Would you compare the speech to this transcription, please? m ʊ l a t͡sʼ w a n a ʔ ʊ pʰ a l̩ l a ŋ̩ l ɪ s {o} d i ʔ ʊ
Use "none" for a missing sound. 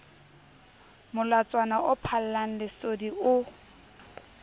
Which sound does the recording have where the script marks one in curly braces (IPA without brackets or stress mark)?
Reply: o